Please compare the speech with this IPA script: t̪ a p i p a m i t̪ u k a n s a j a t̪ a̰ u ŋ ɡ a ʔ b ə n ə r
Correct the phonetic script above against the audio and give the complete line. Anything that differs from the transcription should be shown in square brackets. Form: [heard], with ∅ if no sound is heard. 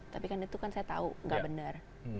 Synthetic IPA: t̪ a p i [k] a [n] i t̪ u k a n s a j a t̪ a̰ u ŋ ɡ a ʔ b ə n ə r